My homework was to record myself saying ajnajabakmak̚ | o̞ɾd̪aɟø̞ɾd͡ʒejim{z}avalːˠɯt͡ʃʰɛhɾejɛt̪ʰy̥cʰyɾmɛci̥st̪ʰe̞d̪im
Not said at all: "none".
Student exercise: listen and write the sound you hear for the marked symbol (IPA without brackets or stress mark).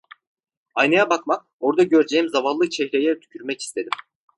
z